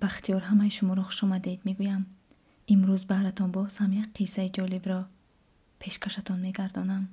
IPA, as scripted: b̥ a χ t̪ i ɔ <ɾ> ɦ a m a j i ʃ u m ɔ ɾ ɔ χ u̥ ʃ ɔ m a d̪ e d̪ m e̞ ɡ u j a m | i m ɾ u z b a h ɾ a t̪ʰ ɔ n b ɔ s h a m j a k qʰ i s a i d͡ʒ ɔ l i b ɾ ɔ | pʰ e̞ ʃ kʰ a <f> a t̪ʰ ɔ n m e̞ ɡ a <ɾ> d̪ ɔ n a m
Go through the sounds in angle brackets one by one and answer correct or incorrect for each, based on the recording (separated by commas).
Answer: correct, incorrect, correct